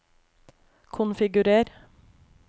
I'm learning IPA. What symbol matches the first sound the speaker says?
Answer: kʰ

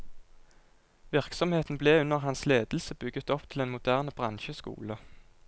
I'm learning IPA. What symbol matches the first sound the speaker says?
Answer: ʋ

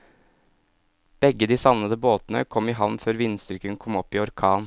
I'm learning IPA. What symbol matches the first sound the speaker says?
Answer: b̥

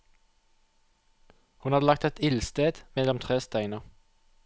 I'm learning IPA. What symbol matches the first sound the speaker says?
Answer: h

